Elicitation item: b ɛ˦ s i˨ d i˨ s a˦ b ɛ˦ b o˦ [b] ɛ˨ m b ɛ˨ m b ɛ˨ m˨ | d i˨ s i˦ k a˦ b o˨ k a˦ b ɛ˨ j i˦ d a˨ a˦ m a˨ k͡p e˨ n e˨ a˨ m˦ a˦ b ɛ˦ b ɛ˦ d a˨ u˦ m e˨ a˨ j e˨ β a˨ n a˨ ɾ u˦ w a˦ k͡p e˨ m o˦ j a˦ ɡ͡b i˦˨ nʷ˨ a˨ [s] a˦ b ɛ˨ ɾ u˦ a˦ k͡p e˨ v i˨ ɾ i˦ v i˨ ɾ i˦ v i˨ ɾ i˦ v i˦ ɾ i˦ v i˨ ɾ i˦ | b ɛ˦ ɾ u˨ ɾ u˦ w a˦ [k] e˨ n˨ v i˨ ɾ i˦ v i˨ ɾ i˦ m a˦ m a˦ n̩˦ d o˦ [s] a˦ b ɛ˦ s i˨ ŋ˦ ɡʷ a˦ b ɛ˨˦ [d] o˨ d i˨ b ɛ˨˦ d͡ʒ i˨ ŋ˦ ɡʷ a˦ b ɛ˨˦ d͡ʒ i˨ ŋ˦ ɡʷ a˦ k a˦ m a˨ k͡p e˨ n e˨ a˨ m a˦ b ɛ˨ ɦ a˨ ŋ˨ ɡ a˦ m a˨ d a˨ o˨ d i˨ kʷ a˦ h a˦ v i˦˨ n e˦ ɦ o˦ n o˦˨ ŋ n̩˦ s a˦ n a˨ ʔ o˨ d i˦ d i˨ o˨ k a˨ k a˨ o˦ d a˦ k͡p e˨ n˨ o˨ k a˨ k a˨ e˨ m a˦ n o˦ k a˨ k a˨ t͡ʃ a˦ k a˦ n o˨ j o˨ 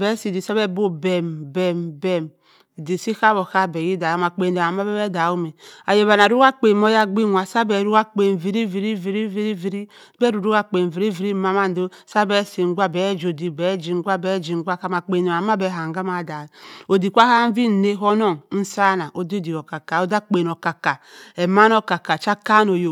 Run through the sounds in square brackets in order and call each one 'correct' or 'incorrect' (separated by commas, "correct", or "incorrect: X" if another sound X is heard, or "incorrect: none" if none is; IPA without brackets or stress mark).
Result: correct, correct, incorrect: k͡p, correct, incorrect: d͡ʒ